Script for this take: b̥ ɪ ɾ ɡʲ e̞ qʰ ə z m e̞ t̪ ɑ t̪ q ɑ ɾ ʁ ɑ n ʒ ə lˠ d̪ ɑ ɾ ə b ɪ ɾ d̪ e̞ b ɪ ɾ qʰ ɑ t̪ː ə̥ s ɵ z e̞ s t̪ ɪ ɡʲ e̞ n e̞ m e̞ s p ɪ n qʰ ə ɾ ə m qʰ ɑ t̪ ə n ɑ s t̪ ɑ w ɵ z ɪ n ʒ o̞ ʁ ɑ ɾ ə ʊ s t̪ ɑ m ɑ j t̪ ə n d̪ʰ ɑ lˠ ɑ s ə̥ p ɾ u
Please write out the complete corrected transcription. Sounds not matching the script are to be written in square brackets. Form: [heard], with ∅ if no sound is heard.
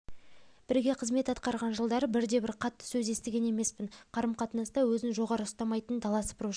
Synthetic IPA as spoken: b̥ ɪ ɾ ɡʲ e̞ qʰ ə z m e̞ t̪ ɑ t̪ q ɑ ɾ ʁ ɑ n ʒ ə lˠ d̪ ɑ ɾ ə b ɪ ɾ d̪ e̞ b ɪ ɾ qʰ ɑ t̪ː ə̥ s ɵ z e̞ s t̪ ɪ ɡʲ e̞ n e̞ m e̞ s p ɪ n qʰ [ɑ] ɾ ə m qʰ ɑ t̪ ə n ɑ s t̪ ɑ w ɵ z ɪ n ʒ o̞ ʁ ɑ ɾ ə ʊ s t̪ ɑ m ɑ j t̪ ə n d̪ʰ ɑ lˠ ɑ s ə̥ p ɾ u

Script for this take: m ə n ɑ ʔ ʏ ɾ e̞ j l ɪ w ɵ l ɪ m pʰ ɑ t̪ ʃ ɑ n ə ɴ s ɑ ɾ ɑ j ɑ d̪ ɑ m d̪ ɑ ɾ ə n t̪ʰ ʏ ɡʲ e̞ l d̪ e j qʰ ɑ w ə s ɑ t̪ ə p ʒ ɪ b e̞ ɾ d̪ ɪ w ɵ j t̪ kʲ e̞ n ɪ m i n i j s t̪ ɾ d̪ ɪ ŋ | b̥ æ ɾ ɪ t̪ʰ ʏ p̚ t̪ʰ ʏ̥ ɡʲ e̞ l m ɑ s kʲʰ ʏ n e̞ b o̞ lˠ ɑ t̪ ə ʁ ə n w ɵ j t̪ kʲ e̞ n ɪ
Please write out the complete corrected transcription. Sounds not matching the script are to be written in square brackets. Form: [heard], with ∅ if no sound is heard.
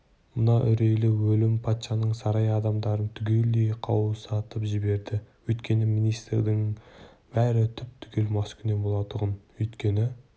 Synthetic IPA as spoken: m ə n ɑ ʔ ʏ ɾ e̞ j l ɪ w ɵ l ɪ m pʰ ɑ t̪ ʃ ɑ n ə ɴ s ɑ ɾ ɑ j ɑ d̪ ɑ m d̪ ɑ ɾ ə n t̪ʰ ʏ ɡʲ e̞ l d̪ e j qʰ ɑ w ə s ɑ t̪ ə p ʒ ɪ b e̞ ɾ d̪ ɪ w ɵ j t̪ kʲ e̞ n ɪ m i n i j s t̪ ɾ d̪ ɪ ŋ | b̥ æ ɾ ɪ t̪ʰ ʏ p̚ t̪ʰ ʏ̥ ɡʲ e̞ l m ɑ s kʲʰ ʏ n e̞ b o̞ lˠ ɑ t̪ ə ʁ ə n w ɵ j t̪ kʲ e̞ n ɪ

